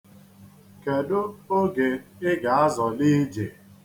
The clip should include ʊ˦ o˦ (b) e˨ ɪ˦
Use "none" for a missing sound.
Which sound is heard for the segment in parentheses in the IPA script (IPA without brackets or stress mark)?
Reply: ɡ